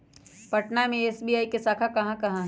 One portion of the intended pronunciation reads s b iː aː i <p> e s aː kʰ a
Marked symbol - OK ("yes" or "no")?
no